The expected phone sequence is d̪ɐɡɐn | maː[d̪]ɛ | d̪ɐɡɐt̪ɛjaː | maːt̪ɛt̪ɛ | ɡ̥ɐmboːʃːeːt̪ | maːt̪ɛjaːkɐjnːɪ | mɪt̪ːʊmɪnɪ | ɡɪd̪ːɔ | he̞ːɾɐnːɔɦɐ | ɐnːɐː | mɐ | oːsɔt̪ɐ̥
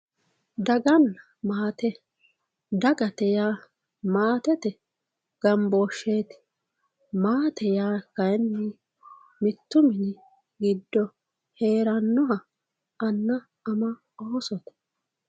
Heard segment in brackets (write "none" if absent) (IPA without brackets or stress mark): t̪